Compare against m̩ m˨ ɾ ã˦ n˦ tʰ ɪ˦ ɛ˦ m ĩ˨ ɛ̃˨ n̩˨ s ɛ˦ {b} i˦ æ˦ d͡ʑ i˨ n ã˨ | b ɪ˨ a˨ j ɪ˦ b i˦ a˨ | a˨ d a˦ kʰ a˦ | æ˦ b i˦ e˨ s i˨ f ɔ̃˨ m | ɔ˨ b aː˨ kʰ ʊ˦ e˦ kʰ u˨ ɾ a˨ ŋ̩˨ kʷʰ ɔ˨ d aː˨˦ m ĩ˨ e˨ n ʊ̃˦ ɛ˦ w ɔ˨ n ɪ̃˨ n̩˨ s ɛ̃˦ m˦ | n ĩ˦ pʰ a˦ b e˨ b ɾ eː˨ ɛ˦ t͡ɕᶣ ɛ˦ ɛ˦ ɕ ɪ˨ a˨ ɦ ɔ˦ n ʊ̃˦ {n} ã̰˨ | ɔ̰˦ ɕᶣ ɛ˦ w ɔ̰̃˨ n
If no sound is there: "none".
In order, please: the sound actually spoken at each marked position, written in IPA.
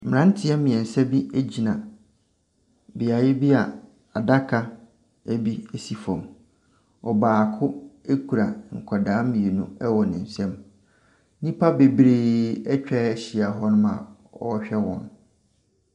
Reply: b, m

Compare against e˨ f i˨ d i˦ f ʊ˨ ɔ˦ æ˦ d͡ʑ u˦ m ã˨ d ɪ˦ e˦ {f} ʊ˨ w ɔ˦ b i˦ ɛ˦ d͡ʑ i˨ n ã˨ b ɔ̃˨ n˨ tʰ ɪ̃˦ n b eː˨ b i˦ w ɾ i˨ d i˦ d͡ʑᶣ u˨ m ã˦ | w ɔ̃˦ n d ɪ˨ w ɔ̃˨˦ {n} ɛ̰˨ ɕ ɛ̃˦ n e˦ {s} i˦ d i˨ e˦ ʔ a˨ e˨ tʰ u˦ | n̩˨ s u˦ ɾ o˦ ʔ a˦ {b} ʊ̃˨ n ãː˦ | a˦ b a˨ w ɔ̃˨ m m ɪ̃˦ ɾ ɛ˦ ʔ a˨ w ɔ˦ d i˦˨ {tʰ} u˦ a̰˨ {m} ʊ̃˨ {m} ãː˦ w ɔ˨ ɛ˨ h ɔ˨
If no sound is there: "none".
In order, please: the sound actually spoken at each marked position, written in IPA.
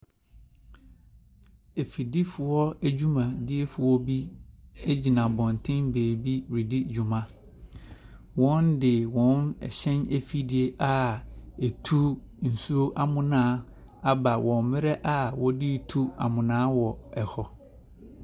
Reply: f, n, f, m, tʰ, m, n

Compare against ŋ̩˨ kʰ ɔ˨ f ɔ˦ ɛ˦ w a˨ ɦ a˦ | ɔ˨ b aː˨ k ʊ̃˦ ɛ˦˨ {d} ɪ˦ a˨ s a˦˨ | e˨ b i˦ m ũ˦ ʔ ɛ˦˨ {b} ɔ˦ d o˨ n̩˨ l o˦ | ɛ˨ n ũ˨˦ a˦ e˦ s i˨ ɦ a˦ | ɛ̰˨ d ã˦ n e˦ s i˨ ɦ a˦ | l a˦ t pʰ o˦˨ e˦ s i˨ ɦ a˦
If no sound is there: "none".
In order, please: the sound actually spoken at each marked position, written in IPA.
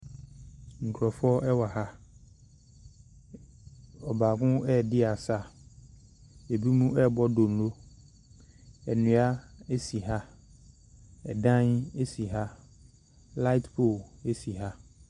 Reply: d, b

